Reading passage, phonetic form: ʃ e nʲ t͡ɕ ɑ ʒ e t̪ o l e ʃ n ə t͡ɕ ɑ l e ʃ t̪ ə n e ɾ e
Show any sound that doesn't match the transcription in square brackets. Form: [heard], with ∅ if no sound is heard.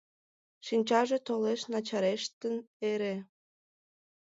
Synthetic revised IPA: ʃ [i] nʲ t͡ɕ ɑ ʒ e t̪ o l e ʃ n [ɑ] t͡ɕ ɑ [ɾ] e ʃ t̪ ə n e ɾ e